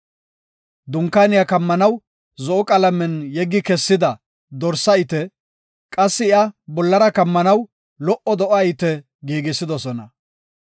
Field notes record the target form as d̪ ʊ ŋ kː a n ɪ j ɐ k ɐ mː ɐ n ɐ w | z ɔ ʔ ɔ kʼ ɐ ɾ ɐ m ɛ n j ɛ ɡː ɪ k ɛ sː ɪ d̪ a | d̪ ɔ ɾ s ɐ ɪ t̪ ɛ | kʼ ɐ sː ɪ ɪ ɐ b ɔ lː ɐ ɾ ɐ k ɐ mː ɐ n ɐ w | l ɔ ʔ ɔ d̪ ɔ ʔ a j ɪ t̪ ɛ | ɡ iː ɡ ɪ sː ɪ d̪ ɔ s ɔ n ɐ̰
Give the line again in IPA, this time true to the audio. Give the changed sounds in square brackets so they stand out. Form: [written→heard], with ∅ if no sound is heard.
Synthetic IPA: d̪ ʊ ŋ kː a n ɪ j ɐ k ɐ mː ɐ n ɐ w | z ɔ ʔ ɔ kʼ ɐ [ɾ→l] ɐ m ɛ n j ɛ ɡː ɪ k ɛ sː ɪ d̪ [a→ɐ] | d̪ ɔ ɾ s ɐ ɪ t̪ ɛ | kʼ ɐ sː ɪ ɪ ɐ b ɔ lː ɐ ɾ ɐ k ɐ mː ɐ n ɐ w | l ɔ ʔ ɔ d̪ ɔ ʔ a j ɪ t̪ ɛ | ɡ iː ɡ ɪ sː ɪ d̪ ɔ s ɔ n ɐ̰